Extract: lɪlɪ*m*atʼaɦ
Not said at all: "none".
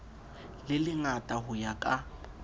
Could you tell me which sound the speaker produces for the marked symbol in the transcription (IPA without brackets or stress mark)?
ŋ